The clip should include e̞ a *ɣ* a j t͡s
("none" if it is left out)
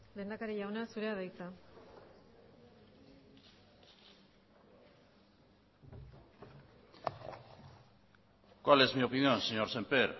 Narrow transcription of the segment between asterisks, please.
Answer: ð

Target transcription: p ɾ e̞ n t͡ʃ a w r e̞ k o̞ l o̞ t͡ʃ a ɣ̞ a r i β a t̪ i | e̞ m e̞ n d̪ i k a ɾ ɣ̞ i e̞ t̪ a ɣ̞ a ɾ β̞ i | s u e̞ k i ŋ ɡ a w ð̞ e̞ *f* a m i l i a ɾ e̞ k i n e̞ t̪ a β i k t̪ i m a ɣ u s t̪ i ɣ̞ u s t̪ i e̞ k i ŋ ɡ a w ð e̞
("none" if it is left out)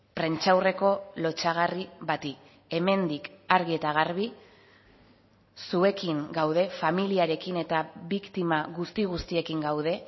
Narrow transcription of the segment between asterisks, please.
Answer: f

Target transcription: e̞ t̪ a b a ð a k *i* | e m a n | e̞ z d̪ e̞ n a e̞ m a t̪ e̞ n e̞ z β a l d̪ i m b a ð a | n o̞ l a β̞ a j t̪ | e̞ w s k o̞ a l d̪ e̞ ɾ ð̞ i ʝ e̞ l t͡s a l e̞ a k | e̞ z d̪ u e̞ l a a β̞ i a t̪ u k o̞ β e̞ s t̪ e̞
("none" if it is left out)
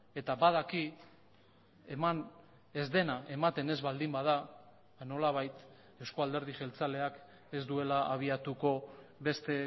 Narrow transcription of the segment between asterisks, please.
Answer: i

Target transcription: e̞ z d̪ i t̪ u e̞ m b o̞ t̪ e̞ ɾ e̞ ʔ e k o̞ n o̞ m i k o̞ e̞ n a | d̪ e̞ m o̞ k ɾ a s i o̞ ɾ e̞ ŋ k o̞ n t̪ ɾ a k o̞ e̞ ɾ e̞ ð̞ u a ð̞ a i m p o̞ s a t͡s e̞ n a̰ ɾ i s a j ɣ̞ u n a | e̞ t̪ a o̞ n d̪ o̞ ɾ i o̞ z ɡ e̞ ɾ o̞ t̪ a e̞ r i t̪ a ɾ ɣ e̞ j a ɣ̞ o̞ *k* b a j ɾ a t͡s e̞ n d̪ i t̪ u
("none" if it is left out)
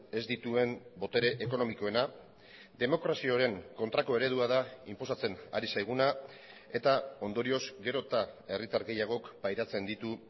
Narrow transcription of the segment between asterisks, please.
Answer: k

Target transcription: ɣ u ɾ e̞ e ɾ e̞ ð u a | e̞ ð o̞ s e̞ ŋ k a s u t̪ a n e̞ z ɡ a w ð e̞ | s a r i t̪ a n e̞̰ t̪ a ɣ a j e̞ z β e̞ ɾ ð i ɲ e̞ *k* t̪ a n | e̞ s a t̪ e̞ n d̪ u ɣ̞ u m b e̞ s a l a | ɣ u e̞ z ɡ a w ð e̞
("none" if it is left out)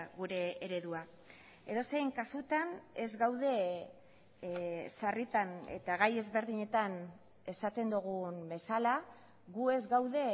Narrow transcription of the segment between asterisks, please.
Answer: none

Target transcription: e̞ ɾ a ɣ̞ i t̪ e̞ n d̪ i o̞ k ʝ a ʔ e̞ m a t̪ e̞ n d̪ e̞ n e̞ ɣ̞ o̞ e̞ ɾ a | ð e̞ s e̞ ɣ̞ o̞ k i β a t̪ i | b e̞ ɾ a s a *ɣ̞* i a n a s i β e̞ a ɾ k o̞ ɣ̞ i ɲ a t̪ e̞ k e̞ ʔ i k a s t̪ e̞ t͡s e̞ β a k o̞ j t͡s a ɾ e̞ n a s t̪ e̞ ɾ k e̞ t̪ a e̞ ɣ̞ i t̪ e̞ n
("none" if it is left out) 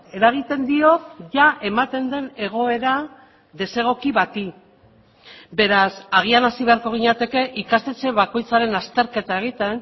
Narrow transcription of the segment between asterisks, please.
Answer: ɣ̞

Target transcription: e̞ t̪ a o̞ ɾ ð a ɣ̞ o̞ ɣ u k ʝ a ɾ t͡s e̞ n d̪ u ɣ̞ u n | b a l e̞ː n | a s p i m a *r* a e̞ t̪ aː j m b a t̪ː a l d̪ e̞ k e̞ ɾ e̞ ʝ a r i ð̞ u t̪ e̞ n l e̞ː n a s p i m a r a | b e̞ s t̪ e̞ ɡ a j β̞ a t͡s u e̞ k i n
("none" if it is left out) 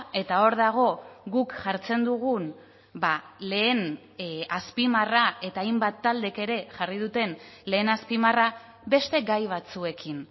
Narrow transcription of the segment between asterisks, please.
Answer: r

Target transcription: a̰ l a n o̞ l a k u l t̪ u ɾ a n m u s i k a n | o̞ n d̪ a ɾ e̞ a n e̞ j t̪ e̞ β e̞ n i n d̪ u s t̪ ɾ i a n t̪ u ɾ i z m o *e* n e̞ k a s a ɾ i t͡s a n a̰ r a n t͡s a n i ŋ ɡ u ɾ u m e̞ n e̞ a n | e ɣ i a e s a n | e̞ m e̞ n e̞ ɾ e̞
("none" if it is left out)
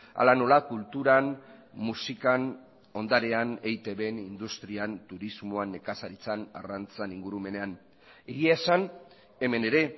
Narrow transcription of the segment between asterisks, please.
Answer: a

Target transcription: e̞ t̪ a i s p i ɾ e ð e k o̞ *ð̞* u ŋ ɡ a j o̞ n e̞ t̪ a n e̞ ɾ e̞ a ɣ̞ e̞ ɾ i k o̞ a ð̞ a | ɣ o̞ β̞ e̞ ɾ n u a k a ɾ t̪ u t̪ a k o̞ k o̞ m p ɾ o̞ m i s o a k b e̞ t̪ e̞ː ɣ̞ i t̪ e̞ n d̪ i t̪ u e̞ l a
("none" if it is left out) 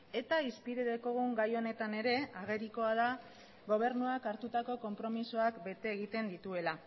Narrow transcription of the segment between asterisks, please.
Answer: ɣ̞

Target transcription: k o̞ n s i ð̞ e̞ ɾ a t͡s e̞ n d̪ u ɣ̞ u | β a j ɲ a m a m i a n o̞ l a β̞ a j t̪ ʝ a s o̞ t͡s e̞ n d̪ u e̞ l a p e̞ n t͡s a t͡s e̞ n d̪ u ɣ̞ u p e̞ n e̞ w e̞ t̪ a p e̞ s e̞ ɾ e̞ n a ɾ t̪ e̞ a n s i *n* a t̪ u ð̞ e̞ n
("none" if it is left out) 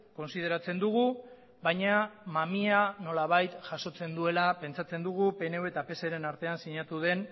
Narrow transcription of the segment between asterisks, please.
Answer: ɲ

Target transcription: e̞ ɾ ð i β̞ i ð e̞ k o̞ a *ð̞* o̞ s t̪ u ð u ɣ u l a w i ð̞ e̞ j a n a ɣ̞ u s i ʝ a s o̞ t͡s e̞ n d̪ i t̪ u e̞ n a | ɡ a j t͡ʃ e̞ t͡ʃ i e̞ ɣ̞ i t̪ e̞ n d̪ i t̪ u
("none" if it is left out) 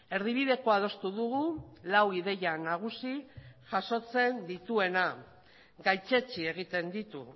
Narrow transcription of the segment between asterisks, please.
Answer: ð̞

